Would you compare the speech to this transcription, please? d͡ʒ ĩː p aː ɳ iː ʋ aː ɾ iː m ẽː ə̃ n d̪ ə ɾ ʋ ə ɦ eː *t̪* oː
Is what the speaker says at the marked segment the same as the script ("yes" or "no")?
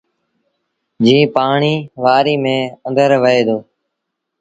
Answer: no